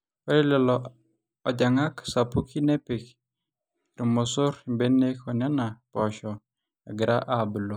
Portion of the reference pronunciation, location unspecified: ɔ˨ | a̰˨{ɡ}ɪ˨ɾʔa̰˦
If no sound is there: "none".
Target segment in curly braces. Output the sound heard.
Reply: ɡ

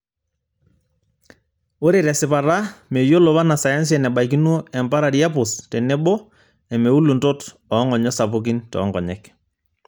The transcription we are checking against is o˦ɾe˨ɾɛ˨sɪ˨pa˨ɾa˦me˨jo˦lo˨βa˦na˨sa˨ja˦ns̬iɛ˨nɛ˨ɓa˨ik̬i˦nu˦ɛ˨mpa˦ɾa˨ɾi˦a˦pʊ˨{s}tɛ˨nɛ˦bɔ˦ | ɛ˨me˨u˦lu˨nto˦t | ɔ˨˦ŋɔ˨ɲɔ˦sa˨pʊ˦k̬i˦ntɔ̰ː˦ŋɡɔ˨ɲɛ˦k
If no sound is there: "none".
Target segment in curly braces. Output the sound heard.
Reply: s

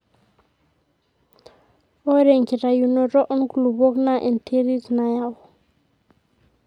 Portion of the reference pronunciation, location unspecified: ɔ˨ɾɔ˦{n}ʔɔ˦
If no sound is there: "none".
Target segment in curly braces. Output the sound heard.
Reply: none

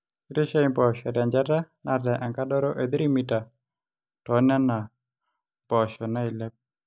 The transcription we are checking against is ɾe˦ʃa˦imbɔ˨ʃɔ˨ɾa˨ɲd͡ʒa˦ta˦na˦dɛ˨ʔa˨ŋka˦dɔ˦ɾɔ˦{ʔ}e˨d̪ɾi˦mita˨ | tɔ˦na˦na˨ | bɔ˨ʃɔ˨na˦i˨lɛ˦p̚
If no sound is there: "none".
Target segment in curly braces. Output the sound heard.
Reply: ʔ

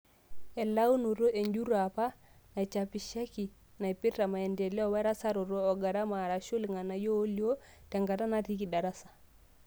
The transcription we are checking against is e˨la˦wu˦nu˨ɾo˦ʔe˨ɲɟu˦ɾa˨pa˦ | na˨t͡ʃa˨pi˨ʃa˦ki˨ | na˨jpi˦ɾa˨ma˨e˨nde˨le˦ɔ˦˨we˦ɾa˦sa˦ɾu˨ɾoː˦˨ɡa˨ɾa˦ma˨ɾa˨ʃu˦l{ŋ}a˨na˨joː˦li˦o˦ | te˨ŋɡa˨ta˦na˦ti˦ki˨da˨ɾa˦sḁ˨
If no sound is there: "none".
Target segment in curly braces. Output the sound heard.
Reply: ŋ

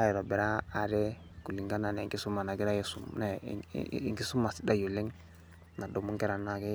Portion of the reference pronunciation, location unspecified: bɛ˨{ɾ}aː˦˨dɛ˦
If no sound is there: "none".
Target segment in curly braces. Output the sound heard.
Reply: ɾ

